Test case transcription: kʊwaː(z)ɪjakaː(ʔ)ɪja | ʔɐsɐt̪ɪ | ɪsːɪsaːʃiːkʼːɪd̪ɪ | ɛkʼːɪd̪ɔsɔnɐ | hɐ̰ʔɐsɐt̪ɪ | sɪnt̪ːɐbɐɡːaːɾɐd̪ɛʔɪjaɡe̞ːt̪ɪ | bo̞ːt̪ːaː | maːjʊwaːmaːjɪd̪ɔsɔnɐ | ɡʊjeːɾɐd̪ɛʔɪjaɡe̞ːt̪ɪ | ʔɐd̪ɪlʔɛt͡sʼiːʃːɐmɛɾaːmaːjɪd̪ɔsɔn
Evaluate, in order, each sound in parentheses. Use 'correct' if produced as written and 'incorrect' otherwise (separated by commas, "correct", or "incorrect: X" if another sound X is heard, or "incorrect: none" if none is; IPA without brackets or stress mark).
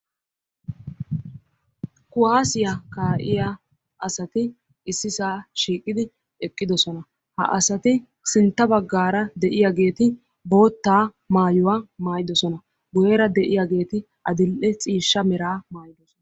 incorrect: s, correct